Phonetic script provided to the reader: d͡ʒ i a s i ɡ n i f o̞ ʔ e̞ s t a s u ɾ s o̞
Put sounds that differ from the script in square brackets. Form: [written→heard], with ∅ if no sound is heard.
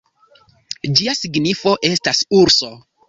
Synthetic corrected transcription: d͡ʒ i a s i ɡ n i f o̞ ʔ e̞ s t a s u ɾ s o̞